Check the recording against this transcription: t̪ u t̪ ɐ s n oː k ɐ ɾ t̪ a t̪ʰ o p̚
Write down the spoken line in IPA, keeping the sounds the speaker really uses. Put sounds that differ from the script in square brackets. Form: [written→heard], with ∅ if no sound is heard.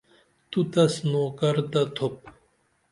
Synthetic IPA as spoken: t̪ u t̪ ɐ s n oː k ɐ ɾ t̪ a t̪ʰ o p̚